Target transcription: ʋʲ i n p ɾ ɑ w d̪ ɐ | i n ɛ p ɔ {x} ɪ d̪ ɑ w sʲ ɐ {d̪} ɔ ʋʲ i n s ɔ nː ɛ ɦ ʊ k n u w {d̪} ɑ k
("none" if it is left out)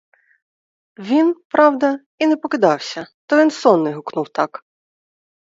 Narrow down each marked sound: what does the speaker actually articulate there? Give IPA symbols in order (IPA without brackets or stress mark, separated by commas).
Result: k, t̪, t̪